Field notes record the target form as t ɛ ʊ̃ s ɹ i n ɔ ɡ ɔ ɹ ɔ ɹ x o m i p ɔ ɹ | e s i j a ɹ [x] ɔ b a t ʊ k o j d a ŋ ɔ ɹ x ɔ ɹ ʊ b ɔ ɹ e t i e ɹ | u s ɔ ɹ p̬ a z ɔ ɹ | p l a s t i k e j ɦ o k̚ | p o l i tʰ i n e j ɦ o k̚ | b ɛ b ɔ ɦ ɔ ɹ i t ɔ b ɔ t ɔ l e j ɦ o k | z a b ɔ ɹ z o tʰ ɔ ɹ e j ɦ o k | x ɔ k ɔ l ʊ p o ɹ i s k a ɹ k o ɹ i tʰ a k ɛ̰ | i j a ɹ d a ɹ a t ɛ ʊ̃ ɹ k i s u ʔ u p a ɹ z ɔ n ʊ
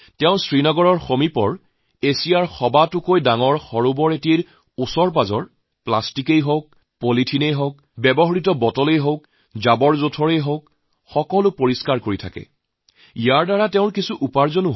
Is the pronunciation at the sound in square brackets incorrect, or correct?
correct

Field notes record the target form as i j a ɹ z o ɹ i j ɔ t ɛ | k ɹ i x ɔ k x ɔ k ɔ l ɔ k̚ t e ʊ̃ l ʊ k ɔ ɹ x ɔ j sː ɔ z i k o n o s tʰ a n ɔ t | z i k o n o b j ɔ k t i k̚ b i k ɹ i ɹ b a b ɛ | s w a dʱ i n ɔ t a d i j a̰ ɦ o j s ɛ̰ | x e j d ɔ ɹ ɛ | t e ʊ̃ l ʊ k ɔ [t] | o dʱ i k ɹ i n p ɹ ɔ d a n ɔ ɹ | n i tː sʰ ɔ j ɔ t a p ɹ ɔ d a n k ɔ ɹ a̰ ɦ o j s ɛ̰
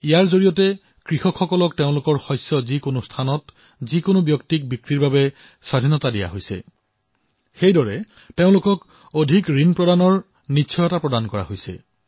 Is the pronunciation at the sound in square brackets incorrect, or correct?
incorrect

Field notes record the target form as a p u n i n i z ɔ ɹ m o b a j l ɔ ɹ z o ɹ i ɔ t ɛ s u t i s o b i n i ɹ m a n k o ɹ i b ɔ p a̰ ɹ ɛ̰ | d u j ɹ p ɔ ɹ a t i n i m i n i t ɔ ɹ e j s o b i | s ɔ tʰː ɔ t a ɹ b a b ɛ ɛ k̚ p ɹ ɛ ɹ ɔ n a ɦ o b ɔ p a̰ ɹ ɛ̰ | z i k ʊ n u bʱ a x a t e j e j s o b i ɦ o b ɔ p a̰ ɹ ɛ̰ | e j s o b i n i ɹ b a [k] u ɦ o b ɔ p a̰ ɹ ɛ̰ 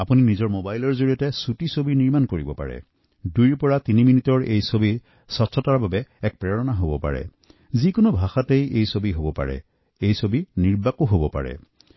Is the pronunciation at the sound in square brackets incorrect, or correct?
correct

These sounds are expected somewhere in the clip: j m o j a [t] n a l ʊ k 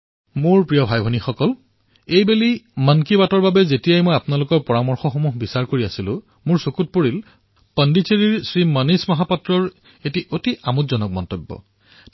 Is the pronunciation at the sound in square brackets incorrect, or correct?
incorrect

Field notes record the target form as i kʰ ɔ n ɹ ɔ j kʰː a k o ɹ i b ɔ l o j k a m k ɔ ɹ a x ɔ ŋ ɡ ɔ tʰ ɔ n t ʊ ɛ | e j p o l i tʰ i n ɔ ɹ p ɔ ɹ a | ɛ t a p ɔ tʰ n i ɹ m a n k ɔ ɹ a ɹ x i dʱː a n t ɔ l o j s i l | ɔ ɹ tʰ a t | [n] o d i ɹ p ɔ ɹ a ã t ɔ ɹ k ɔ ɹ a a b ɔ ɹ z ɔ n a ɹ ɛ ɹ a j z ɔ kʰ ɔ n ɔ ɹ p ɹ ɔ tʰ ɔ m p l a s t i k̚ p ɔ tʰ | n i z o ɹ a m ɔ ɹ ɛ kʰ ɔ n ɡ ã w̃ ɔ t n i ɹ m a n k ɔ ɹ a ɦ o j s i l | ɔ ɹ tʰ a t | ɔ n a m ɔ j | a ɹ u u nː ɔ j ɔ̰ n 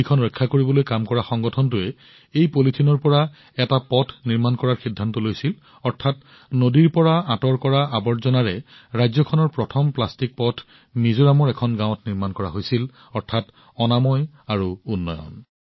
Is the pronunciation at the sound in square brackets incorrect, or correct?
correct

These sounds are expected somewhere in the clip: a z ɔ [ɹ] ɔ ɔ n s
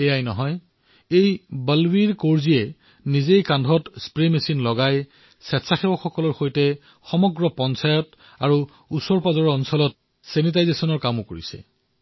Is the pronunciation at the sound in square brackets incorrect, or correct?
correct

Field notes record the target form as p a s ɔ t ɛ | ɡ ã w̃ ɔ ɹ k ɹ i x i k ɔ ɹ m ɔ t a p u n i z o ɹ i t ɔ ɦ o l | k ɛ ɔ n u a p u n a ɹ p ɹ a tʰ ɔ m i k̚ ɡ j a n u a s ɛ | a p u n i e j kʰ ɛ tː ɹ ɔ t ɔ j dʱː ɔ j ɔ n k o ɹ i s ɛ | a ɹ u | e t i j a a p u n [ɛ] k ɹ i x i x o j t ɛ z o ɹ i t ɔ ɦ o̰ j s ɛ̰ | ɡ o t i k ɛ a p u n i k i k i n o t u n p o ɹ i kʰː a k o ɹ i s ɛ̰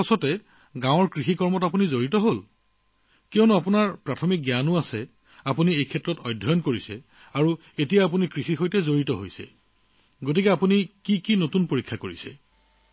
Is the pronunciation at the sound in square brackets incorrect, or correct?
incorrect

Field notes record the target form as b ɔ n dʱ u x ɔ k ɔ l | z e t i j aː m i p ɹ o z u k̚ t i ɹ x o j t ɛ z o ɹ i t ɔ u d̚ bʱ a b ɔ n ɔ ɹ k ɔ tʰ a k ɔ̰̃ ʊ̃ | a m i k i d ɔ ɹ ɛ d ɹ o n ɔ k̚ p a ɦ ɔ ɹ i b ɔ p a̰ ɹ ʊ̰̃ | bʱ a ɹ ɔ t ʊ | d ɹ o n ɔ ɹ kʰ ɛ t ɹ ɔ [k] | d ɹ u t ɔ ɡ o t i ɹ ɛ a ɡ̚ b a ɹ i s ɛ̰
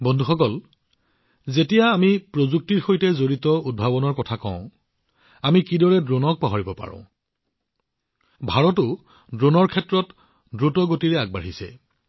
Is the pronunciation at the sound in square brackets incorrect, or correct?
incorrect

